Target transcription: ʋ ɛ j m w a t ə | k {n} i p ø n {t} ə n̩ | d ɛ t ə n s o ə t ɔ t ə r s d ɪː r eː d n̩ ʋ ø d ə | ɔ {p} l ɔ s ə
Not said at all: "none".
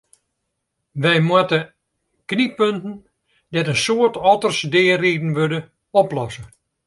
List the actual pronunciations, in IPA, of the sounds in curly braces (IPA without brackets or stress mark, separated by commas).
n, t, p